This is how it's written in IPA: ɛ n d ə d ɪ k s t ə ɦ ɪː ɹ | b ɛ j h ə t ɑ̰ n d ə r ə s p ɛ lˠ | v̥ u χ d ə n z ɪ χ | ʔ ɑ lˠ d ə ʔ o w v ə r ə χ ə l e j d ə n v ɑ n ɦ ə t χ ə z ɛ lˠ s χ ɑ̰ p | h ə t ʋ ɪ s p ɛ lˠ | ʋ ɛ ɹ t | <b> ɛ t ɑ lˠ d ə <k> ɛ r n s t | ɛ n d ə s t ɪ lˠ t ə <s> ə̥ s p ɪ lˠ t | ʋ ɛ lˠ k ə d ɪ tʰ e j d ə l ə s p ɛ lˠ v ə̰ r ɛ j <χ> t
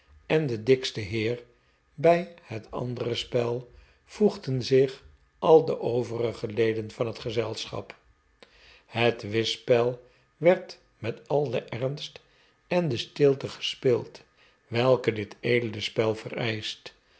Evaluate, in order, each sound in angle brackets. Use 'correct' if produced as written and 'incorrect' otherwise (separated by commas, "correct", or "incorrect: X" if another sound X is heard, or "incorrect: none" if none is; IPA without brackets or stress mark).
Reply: incorrect: m, incorrect: ʔ, incorrect: χ, incorrect: s